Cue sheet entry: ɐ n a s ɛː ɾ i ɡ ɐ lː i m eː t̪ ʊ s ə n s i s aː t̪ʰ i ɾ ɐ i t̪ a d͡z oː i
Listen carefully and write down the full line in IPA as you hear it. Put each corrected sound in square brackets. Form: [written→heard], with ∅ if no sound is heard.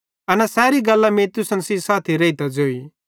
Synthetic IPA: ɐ n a s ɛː ɾ i ɡ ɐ lː [i→a] m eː t̪ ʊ s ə n s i s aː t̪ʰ i ɾ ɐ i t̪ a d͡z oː i